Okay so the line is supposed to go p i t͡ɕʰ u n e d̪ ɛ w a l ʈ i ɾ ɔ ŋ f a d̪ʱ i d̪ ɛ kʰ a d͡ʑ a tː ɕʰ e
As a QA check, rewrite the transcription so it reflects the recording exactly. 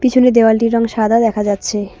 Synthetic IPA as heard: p i t͡ɕʰ u n e d̪ e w a l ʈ i ɾ ɔ ŋ ʃ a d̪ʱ a d̪ ɛ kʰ a d͡ʑ a tː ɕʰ e